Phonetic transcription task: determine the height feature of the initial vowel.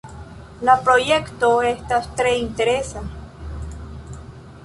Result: low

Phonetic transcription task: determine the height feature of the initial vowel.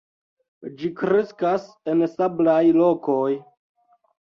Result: high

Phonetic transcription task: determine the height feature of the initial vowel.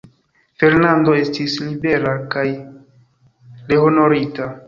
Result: mid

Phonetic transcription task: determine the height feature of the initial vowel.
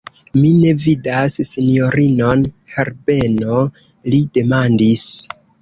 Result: high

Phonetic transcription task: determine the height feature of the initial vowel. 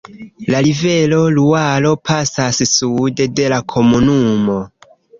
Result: low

